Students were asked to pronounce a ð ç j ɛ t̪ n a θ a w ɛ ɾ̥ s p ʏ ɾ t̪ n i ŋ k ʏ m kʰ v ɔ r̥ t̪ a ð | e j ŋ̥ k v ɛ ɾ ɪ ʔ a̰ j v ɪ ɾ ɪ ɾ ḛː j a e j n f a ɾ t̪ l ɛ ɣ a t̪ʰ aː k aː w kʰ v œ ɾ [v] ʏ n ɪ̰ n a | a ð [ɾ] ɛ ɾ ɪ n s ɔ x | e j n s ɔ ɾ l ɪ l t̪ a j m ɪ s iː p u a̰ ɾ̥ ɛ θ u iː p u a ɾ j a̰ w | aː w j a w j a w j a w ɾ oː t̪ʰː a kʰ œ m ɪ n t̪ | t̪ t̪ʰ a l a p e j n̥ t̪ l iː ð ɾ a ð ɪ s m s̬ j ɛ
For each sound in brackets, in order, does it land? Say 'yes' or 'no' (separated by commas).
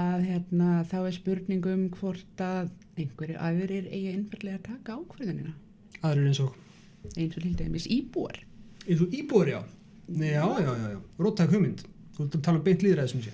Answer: no, yes